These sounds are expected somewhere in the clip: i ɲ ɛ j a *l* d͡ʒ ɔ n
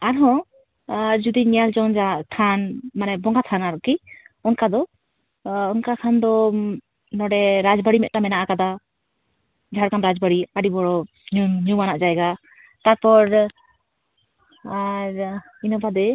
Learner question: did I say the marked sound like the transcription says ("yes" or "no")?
yes